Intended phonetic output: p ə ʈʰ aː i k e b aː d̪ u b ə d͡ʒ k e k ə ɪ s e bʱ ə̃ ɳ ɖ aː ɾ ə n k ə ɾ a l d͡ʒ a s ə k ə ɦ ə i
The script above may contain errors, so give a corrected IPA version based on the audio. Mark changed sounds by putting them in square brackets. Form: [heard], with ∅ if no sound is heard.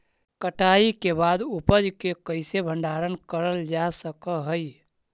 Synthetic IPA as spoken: [k] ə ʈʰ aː i k e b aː d̪ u [p] ə d͡ʒ k e k ə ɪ s e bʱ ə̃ ɳ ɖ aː ɾ ə n k ə ɾ [ə] l d͡ʒ a s ə k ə ɦ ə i